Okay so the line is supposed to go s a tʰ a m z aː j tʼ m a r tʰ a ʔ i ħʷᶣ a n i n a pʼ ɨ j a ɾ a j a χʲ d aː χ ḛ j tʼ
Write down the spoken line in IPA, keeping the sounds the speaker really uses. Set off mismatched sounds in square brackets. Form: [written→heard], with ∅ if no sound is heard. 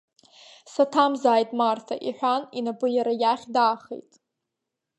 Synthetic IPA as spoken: s a tʰ a m z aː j tʼ m a r tʰ a ʔ i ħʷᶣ a n i n a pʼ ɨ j a ɾ a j a χʲ d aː χ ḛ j tʼ